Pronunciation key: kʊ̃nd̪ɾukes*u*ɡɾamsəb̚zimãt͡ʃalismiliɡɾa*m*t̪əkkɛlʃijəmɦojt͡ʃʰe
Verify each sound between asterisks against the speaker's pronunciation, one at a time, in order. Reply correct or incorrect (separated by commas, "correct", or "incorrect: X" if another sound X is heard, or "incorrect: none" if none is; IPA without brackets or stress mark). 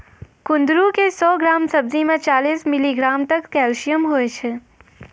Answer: incorrect: ɔ, correct